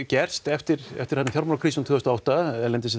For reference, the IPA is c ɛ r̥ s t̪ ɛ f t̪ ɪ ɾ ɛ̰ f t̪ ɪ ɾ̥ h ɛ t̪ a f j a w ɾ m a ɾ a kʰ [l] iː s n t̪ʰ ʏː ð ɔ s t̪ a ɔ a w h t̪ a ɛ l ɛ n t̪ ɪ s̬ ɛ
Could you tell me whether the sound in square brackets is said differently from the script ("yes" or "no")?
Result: yes